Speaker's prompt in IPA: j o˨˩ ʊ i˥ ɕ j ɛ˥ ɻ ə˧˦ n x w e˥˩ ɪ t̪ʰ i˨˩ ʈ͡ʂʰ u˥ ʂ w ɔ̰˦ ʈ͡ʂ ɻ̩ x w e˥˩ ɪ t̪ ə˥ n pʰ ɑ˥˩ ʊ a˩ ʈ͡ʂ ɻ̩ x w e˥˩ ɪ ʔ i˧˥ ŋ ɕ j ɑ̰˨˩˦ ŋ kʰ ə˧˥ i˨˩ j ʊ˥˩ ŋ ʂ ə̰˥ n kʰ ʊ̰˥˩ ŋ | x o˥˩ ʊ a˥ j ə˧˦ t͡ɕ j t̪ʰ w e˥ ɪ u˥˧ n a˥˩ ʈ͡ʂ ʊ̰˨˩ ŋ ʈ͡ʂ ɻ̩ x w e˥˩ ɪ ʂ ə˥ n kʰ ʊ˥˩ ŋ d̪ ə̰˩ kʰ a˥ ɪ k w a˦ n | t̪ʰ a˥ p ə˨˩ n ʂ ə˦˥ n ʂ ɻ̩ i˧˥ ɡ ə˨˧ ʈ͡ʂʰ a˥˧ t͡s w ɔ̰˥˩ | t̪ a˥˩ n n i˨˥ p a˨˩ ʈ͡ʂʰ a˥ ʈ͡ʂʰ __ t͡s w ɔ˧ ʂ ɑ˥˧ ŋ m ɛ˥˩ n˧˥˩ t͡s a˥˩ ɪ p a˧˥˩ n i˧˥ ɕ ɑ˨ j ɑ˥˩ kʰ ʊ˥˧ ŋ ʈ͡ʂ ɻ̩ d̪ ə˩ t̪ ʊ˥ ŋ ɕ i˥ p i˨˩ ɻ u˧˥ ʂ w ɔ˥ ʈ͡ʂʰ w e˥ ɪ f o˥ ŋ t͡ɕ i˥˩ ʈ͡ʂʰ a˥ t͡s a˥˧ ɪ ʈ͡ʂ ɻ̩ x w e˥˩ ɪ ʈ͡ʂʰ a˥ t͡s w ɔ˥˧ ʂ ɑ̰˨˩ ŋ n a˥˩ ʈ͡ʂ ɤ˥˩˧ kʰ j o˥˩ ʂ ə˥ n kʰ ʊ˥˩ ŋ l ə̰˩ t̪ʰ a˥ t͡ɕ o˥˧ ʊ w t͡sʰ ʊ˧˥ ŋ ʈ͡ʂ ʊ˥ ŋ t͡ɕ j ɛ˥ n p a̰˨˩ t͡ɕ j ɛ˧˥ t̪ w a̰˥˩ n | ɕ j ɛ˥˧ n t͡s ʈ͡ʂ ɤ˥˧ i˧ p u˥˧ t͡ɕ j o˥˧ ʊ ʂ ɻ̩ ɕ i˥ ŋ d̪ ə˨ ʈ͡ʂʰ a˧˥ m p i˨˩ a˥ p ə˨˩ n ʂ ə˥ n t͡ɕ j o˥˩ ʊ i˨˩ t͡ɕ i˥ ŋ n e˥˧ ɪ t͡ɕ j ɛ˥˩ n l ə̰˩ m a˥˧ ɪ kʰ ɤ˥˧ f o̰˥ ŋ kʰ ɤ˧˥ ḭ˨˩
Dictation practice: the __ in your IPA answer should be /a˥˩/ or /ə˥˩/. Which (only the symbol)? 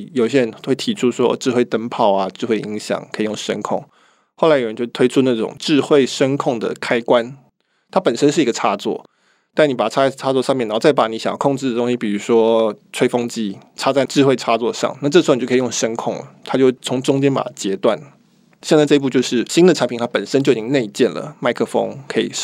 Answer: a˥˩